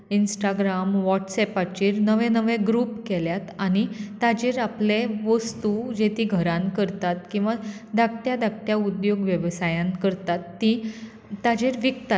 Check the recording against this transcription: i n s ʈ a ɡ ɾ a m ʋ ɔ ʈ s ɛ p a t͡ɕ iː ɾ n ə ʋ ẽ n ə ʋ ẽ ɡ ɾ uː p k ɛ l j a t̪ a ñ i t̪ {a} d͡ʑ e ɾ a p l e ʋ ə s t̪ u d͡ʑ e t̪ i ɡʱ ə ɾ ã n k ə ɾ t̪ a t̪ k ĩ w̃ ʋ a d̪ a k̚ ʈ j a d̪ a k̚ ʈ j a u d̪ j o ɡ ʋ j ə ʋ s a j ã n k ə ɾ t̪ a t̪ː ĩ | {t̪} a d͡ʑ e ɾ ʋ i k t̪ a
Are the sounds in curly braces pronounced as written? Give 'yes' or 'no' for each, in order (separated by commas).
yes, yes